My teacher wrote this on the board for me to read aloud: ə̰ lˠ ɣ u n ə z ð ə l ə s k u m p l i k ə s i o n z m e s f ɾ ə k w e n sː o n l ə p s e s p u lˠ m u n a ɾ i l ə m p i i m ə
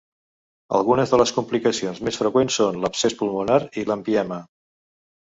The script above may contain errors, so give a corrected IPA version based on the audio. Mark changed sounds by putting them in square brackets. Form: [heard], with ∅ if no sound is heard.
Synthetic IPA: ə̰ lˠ ɣ u n ə z ð ə l ə s k u m p l i k ə s i o n z m e s f ɾ ə k w e n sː o n l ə p s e s p u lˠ m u n a ɾ i l ə m p i [ɛ] m ə